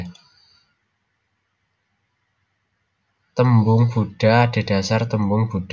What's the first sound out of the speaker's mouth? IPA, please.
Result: t̪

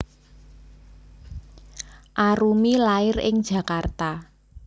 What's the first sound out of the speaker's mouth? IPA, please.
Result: ʔ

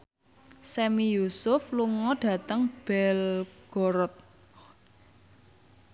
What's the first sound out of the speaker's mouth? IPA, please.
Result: s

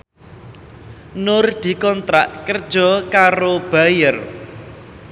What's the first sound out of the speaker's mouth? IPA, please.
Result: n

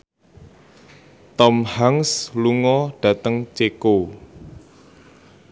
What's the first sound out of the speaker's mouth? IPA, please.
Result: t̪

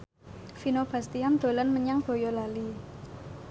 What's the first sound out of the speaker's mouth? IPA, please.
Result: f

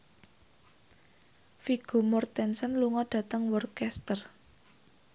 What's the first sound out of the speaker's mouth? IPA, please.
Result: f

